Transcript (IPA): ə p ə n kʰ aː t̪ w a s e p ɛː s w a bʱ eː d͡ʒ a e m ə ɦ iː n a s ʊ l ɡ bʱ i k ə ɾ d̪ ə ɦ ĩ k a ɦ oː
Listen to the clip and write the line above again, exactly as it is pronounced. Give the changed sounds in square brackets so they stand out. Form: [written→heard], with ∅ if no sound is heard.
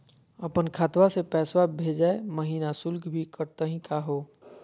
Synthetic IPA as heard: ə p ə n kʰ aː t̪ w a s e p ɛː s w a bʱ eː d͡ʒ a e m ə ɦ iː n a s ʊ l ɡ bʱ i k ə ɾ [d̪→t̪] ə ɦ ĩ k a ɦ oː